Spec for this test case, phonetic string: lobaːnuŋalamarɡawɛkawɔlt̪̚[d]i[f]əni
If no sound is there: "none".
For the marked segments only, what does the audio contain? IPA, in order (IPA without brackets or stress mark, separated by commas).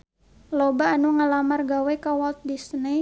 d, s